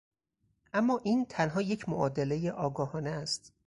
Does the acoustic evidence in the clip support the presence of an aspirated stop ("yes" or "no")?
yes